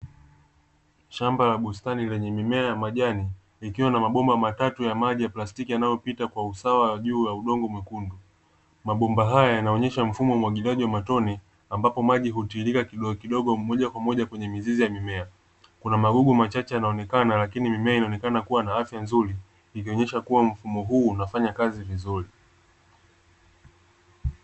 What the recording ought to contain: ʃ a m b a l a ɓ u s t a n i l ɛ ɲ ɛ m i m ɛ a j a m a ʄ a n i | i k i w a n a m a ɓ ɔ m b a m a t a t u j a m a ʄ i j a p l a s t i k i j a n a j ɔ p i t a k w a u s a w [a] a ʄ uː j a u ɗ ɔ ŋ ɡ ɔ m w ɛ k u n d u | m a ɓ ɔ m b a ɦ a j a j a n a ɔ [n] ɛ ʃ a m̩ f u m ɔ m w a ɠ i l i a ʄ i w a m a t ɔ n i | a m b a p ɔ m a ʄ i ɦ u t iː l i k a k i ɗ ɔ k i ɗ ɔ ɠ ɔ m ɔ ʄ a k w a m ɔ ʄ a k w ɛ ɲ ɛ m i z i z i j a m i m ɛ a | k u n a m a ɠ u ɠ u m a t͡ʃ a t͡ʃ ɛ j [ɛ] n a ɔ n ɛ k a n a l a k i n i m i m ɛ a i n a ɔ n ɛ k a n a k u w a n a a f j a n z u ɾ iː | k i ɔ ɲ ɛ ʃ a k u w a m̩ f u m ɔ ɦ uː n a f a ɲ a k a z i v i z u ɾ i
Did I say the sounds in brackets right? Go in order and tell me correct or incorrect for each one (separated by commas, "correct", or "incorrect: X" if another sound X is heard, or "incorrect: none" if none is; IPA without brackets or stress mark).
correct, incorrect: ɲ, incorrect: a